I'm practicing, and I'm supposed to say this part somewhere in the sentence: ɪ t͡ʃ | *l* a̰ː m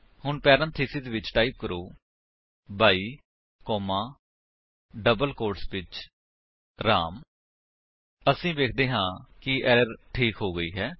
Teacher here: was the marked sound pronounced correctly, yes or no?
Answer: no